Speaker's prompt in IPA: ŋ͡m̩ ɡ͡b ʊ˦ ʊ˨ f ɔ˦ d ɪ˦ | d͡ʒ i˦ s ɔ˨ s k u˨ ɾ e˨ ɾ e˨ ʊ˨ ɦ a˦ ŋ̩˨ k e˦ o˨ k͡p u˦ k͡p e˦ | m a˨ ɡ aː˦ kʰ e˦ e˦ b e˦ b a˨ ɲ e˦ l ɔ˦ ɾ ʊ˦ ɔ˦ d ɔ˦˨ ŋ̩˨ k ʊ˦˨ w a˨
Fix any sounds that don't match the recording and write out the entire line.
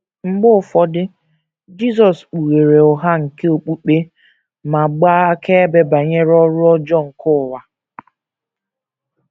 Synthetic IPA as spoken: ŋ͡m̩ ɡ͡b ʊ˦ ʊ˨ f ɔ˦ d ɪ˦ | d͡ʒ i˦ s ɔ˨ s k͡p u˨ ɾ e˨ ɾ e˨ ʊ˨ ɦ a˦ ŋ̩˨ k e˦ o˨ k͡p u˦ k͡p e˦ | m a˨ ɡ͡b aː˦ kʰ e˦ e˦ b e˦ b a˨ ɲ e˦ ɾ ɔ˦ ɾ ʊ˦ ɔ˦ d͡ʒ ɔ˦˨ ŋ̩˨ k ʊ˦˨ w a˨